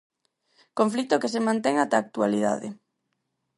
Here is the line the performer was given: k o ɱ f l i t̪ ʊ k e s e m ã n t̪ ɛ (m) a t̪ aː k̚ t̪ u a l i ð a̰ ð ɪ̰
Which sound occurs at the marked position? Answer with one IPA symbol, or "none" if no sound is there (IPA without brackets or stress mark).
ŋ